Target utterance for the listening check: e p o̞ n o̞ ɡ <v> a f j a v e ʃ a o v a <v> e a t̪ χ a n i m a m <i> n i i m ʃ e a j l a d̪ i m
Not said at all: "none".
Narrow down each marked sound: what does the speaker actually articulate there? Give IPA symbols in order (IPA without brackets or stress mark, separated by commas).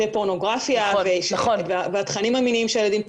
ʁ, v, i